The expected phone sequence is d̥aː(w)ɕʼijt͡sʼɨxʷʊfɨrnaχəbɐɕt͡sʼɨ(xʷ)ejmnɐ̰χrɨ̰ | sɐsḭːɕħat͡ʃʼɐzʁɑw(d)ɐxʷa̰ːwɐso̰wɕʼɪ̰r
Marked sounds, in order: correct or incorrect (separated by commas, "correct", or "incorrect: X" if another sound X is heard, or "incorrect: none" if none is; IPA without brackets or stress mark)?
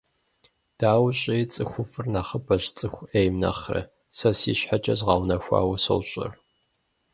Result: correct, correct, incorrect: n